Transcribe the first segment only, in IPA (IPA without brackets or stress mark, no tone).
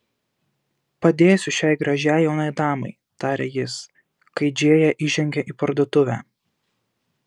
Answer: p